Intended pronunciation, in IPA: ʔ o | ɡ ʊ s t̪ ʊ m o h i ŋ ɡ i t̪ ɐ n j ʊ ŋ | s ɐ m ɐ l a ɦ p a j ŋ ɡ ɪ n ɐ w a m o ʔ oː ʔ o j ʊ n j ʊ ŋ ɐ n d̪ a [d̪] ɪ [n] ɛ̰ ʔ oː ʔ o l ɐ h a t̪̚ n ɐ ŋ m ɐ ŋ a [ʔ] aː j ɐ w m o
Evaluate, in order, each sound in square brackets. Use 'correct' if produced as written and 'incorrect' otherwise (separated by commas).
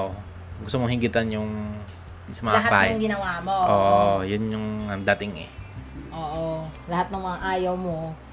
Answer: incorrect, incorrect, correct